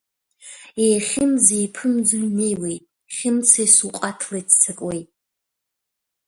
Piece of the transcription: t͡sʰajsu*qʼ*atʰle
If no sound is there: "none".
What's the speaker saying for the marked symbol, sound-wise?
qʼ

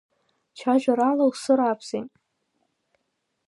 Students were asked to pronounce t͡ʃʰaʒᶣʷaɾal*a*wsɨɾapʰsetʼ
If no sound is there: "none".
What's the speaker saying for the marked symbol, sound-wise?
a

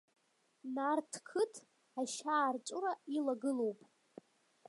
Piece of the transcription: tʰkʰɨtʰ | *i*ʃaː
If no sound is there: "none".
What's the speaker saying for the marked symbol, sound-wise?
a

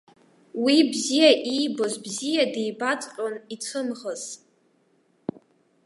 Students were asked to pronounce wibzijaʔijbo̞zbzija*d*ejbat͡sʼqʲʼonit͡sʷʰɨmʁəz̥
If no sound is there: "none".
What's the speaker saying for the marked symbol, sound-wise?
d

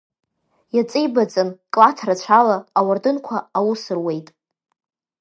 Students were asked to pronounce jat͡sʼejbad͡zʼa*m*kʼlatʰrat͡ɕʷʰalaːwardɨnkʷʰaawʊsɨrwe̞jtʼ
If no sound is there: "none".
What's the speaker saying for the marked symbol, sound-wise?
n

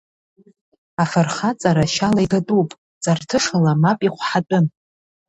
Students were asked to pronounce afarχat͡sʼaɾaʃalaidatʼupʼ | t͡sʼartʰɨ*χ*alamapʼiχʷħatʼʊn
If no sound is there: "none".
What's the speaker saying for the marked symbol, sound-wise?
ʂ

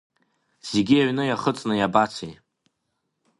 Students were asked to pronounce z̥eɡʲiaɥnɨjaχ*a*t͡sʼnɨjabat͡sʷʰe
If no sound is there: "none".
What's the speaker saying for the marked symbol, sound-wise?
ə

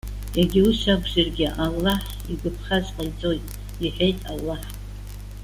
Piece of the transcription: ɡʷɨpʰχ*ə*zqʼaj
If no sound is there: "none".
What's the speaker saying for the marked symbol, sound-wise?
a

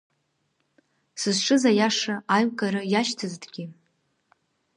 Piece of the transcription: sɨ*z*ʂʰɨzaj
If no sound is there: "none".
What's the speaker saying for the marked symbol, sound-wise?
z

